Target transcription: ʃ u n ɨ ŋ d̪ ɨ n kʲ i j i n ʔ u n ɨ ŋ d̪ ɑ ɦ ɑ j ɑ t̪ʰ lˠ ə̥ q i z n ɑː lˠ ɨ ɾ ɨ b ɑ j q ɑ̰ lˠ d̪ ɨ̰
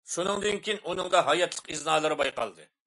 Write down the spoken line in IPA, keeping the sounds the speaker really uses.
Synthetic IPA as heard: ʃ u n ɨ ŋ d̪ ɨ n kʲ i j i n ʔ u n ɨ ŋ d̪ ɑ ɦ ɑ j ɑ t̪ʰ lˠ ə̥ q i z n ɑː lˠ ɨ ɾ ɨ b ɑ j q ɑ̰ lˠ d̪ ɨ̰